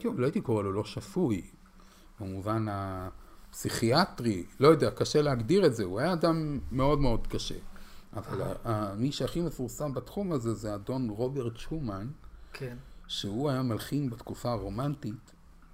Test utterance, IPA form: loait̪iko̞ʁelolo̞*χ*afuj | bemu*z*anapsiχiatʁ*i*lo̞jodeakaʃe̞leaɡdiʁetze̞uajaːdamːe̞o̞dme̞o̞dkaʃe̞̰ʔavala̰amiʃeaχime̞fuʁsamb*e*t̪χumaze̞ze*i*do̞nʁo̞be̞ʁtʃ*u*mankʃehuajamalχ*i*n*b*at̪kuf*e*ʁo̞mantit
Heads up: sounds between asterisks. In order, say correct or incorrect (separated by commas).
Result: incorrect, incorrect, correct, incorrect, incorrect, correct, correct, correct, incorrect